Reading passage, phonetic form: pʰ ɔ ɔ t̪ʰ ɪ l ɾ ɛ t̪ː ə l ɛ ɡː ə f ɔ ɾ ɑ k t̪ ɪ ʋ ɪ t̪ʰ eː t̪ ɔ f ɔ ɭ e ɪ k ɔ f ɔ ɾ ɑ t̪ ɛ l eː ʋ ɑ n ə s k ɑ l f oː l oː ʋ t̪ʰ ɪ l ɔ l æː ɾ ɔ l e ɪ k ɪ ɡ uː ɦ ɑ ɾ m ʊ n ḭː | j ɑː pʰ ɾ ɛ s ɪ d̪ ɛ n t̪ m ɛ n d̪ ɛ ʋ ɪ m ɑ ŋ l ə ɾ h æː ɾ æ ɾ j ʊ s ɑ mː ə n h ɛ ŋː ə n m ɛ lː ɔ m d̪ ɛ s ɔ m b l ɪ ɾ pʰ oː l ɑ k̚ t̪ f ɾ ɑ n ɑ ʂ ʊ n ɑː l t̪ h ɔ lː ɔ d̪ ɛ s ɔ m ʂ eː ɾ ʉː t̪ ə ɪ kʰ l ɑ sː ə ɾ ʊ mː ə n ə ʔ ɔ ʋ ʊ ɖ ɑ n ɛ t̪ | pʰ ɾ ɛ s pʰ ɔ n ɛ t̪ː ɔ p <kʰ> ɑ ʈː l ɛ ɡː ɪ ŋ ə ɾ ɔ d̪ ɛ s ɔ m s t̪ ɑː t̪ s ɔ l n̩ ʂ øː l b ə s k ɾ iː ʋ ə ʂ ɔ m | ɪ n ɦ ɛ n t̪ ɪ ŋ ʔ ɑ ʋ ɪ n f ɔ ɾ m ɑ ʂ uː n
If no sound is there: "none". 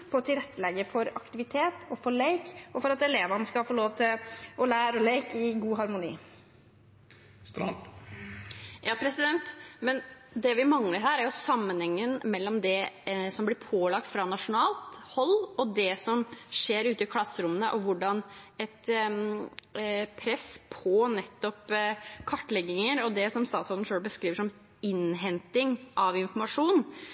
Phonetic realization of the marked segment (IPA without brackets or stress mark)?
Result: kʰ